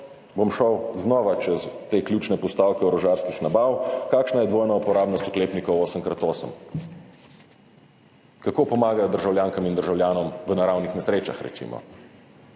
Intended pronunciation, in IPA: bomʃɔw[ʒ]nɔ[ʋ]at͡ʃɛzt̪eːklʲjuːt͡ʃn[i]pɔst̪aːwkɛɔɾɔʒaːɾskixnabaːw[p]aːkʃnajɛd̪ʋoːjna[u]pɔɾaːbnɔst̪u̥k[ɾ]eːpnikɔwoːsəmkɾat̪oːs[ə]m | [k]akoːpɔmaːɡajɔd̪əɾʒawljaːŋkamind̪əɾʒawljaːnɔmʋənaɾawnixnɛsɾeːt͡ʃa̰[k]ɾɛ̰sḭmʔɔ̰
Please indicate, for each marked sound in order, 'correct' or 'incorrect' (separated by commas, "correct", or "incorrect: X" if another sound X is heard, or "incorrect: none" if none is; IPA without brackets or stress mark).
incorrect: z, correct, incorrect: ɛ, incorrect: k, correct, incorrect: l, correct, correct, incorrect: x